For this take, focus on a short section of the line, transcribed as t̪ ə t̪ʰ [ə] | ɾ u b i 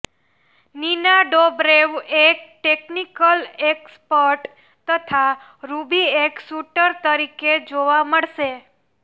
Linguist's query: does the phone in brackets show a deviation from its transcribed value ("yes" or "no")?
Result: yes